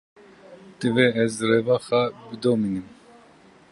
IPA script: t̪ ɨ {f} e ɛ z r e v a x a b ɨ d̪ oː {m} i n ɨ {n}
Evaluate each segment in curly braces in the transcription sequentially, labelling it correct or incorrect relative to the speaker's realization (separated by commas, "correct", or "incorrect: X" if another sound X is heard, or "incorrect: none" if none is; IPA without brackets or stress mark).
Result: incorrect: v, correct, incorrect: m